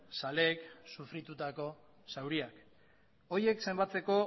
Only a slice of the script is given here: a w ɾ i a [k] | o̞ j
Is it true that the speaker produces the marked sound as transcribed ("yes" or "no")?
yes